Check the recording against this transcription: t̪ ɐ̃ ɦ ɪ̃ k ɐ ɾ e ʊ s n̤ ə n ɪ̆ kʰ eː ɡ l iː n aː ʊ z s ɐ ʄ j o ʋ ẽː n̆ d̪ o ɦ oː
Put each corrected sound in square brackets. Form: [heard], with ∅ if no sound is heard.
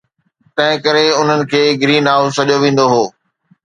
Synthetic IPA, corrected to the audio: t̪ ɐ̃ ɦ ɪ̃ k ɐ ɾ e ʊ [∅] n̤ ə n ɪ̆ kʰ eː ɡ [ɾ] iː n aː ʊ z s ɐ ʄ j o ʋ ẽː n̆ d̪ o ɦ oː